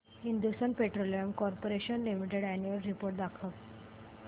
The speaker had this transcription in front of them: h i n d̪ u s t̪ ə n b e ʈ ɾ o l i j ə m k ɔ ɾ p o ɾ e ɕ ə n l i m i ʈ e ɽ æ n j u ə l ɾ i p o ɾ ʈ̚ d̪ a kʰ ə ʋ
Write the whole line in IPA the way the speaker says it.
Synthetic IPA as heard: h i n d̪ u s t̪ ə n p e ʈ ɾ o l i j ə m k ɔ ɾ p o ɾ e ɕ ə n l i m i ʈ e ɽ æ n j u ə l ɾ i p o ɾ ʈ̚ d̪ a kʰ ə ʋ